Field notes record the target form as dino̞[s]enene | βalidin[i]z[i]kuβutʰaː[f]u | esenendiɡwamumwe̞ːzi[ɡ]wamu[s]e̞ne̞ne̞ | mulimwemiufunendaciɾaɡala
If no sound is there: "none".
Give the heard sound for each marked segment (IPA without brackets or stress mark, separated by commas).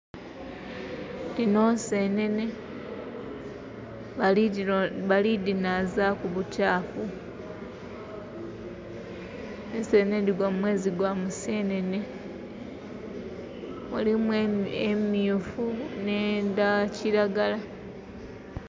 s, a, a, f, ɡ, s